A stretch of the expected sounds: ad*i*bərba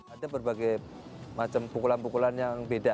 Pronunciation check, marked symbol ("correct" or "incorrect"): incorrect